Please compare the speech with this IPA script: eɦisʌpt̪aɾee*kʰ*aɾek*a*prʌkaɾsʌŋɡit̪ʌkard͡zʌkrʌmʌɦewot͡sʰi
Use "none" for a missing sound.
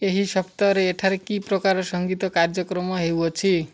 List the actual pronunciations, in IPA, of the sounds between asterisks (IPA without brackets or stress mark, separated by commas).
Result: ʈʰ, i